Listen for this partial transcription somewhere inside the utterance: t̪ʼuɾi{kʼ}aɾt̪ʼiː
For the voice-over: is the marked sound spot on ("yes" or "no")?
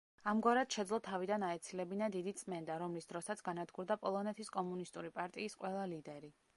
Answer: no